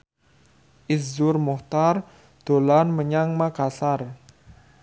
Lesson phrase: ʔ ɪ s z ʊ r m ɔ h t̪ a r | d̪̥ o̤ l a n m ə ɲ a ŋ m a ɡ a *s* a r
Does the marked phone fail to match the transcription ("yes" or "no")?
no